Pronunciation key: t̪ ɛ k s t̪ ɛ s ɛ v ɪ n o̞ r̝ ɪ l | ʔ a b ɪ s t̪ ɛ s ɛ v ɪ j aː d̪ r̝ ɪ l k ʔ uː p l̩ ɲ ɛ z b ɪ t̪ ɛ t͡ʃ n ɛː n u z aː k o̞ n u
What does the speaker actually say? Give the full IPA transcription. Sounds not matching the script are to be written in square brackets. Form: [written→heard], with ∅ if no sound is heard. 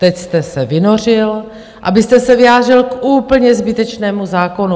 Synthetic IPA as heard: t̪ ɛ [k→c] s t̪ ɛ s ɛ v ɪ n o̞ r̝ ɪ l | ʔ a b ɪ s t̪ ɛ s ɛ v ɪ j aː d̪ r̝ ɪ l k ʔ uː p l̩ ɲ ɛ z b ɪ t̪ ɛ t͡ʃ n ɛː [n→m] u z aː k o̞ n u

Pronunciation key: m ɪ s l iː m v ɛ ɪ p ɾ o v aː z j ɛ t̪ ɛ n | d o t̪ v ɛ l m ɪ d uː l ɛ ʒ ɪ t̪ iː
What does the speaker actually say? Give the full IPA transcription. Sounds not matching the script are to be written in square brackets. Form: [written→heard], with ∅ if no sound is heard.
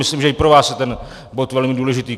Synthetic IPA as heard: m ɪ s l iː m [v→ʒ] ɛ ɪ p ɾ o v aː [z→s] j ɛ t̪ ɛ n | [d→b] o t̪ v ɛ l m ɪ d uː l ɛ ʒ ɪ t̪ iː

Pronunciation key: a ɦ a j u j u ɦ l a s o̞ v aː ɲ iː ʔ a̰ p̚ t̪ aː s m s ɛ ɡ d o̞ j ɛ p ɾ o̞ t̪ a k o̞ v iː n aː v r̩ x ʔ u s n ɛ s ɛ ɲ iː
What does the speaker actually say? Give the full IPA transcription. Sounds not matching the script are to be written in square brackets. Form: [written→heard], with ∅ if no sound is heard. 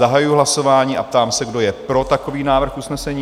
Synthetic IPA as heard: a ɦ a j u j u ɦ l a s o̞ v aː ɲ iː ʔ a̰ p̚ t̪ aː [s→∅] m s ɛ ɡ d o̞ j ɛ p ɾ o̞ t̪ a k o̞ v iː n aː v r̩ x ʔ u s n ɛ s ɛ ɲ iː

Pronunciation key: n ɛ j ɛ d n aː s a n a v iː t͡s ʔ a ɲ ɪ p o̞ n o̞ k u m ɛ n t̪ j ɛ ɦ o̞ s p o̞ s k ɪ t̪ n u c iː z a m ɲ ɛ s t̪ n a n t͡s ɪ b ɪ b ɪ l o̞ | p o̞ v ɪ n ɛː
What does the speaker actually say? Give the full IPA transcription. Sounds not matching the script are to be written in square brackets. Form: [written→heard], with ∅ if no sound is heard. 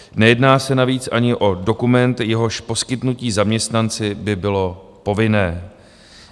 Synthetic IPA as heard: n ɛ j ɛ d n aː s [a→ɛ] n a v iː t͡s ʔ a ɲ ɪ [p→ʔ] o̞ [n→d] o̞ k u m ɛ n t̪ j ɛ ɦ o̞ [s→ʃ] p o̞ s k ɪ t̪ n u c iː z a m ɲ ɛ s t̪ n a n t͡s ɪ b ɪ b ɪ l o̞ | p o̞ v ɪ n ɛː

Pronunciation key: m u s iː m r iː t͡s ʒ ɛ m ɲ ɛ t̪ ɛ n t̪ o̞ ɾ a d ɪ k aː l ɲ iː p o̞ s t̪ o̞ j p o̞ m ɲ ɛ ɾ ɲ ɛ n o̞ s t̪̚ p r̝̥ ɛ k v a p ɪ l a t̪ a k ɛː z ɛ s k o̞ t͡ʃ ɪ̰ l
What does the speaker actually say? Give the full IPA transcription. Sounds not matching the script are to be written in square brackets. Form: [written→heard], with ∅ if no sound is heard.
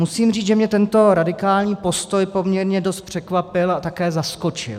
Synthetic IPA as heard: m u s iː m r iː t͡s ʒ ɛ m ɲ ɛ t̪ ɛ n t̪ o̞ ɾ a d ɪ k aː l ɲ iː p o̞ s t̪ o̞ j p o̞ m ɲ ɛ ɾ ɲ ɛ [n→d] o̞ s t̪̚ p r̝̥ ɛ k v a p ɪ l a t̪ a k ɛː z [ɛ→a] s k o̞ t͡ʃ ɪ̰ l

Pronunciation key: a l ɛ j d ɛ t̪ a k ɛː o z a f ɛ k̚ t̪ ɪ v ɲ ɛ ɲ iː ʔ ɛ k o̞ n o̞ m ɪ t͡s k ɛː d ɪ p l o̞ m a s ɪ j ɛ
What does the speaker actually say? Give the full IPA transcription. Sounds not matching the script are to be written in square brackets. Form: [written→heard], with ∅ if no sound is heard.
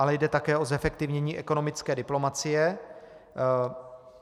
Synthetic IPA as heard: a l ɛ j d ɛ t̪ a k ɛː o z [a→ɛ] f ɛ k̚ t̪ ɪ v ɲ ɛ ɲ iː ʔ ɛ k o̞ n o̞ m ɪ t͡s k ɛː d ɪ p l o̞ m a [s→t͡s] ɪ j ɛ

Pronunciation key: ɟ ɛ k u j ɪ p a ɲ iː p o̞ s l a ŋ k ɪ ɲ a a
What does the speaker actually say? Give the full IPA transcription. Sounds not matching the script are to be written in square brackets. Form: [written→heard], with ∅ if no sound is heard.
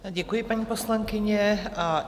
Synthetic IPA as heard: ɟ ɛ k u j ɪ p a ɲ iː p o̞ s l a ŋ k ɪ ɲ [a→ɛ] a

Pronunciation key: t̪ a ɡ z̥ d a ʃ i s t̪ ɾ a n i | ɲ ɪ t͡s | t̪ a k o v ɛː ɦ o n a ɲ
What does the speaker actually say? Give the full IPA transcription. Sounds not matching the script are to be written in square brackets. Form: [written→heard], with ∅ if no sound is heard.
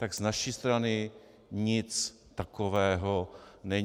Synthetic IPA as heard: t̪ a ɡ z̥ [d→n] a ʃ i s t̪ ɾ a n [i→ɪ] | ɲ ɪ t͡s | t̪ a k o v ɛː ɦ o n [a→ɛ] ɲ

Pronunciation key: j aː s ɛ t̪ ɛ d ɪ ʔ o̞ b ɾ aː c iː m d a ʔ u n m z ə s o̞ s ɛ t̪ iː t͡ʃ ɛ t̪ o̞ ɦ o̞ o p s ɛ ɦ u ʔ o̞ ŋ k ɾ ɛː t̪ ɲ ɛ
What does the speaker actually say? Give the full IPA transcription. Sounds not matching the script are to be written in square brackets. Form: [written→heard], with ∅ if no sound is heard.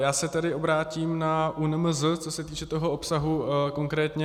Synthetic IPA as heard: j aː s ɛ t̪ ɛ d ɪ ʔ o̞ b ɾ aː c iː m [d→n] a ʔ u n m z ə [s→t͡s] o̞ s ɛ t̪ iː t͡ʃ ɛ t̪ o̞ ɦ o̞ o p s [ɛ→a] ɦ u [ʔ→k] o̞ ŋ k ɾ ɛː t̪ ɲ ɛ

